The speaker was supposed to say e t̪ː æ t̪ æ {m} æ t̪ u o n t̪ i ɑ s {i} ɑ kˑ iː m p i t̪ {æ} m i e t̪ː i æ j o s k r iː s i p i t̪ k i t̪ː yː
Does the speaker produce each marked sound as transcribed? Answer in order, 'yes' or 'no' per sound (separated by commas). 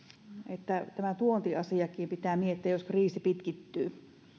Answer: yes, yes, no